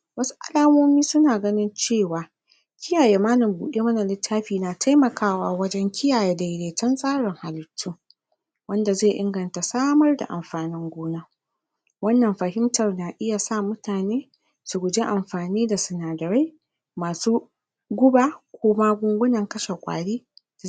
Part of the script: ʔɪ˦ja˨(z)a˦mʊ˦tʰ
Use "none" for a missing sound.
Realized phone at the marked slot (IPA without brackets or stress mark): s